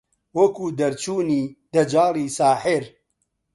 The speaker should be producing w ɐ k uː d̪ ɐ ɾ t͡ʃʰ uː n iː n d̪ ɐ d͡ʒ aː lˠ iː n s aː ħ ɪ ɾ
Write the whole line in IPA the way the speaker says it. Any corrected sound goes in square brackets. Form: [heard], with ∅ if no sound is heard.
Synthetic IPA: w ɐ k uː d̪ ɐ ɾ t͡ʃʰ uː n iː [∅] d̪ ɐ d͡ʒ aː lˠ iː [∅] s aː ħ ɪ ɾ